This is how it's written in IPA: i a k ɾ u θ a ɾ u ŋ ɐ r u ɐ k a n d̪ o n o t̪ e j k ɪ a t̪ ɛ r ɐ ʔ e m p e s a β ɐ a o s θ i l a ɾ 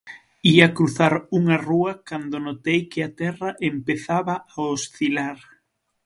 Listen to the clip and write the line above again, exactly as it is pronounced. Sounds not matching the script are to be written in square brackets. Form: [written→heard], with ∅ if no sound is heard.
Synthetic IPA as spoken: i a k ɾ u θ a ɾ u ŋ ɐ r u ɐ k a n d̪ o n o t̪ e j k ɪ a t̪ ɛ r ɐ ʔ e m p e [s→θ] a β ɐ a o s θ i l a ɾ